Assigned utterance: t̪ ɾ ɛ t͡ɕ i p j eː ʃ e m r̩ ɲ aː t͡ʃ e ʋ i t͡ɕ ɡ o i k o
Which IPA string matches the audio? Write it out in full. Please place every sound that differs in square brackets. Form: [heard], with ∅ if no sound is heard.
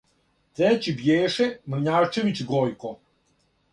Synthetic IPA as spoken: t̪ ɾ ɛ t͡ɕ i [b] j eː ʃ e m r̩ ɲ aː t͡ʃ e ʋ i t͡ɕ ɡ o [j] k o